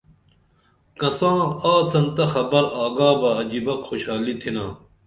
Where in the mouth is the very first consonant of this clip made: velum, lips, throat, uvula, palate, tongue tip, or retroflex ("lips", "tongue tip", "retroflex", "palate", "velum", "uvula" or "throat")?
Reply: velum